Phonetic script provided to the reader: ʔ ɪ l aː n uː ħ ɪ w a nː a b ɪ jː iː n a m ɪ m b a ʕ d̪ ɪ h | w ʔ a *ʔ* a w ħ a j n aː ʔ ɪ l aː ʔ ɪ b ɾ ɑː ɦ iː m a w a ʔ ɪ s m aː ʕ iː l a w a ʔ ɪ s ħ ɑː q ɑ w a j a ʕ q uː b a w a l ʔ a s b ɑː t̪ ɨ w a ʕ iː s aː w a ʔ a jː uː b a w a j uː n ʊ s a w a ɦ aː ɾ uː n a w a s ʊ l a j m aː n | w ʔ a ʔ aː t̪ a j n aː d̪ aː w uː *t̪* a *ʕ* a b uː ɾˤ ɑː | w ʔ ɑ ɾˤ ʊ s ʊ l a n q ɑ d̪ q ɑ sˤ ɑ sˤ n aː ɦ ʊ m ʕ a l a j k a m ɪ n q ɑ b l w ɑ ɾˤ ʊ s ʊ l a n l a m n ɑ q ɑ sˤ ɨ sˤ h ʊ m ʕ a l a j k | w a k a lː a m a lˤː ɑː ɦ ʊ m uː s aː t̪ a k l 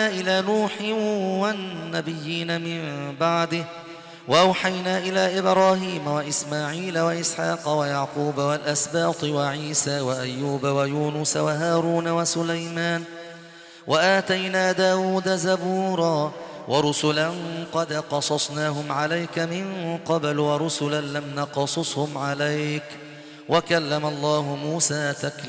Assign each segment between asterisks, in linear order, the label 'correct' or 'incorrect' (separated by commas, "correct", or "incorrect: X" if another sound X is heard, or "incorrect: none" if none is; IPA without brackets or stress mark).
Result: correct, incorrect: d̪, incorrect: z